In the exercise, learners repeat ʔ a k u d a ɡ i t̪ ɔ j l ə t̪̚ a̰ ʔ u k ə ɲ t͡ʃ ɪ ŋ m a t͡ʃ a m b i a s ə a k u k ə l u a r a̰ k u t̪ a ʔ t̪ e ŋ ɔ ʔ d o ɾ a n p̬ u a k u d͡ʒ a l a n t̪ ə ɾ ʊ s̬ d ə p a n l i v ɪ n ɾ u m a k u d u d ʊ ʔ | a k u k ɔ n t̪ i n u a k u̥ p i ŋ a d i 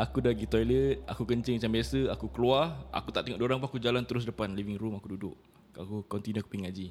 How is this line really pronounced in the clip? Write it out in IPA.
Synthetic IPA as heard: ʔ a k u d a ɡ i t̪ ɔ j l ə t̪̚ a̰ k u k ə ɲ t͡ʃ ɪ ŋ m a t͡ʃ a m b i a s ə a k u k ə l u a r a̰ k u t̪ a ʔ t̪ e ŋ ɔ ʔ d o ɾ a ŋ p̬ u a k u d͡ʒ a l a n t̪ ə ɾ ʊ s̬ d ə p a n l i v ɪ ŋ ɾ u m a k u d u d ʊ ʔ | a k u k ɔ n t̪ i n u a k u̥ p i ŋ a d͡ʒ i